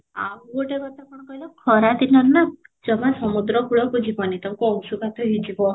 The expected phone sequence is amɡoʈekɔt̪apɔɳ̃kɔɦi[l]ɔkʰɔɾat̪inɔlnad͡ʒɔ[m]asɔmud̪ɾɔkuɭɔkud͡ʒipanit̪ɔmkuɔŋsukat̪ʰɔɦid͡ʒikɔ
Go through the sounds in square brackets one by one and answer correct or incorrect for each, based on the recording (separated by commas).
correct, correct